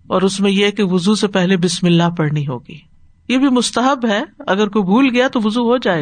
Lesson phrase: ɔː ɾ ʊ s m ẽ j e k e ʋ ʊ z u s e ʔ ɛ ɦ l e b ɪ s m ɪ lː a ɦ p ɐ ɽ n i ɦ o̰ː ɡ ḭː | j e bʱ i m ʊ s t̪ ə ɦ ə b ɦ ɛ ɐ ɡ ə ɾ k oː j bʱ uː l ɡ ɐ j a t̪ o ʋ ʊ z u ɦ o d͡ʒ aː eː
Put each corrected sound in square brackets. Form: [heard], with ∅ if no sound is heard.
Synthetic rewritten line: ɔː ɾ ʊ s m ẽ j e k e ʋ ʊ z u s e [p] ɛ ɦ l e b ɪ s m ɪ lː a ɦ p ɐ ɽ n i ɦ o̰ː ɡ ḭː | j e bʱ i m ʊ s t̪ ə ɦ ə b ɦ ɛ ɐ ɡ ə ɾ k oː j bʱ uː l ɡ ɐ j a t̪ o ʋ ʊ z u ɦ o d͡ʒ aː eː